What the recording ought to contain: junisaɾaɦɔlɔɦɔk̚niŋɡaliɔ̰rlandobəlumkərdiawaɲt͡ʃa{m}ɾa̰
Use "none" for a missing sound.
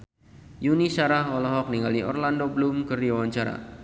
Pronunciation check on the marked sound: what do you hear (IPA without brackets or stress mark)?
none